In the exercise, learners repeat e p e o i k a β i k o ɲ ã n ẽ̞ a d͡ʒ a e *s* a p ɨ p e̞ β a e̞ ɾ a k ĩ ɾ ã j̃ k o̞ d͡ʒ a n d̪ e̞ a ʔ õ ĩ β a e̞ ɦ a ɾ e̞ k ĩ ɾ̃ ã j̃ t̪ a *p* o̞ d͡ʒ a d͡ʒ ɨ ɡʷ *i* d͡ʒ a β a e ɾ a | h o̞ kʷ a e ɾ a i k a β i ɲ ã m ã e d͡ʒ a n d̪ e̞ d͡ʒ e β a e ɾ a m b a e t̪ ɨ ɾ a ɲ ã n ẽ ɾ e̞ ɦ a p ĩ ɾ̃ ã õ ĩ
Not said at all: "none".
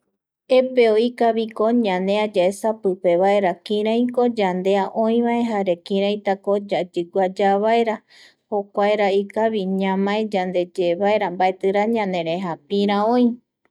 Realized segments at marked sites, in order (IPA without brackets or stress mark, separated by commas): s, k, a